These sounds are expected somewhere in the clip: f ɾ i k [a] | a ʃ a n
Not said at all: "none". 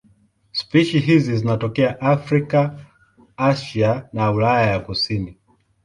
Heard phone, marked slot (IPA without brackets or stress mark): a